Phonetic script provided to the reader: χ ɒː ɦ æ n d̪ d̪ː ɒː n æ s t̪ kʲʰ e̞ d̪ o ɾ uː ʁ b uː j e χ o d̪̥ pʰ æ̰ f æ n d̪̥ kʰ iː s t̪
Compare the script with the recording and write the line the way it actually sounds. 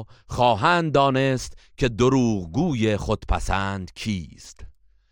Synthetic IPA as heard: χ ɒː ɦ æ n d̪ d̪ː ɒː n e s t̪ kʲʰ e̞ d̪ o ɾ uː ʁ ɡ uː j e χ o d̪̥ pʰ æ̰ s æ n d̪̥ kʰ iː s t̪